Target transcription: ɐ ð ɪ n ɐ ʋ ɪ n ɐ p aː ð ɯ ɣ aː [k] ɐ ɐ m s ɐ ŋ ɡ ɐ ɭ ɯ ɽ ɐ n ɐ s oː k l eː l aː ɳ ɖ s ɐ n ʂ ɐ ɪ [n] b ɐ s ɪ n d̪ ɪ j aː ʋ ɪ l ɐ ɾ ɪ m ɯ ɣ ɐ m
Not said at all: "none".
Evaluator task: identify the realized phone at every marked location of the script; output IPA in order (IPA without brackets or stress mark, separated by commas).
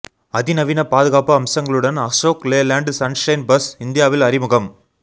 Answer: p, n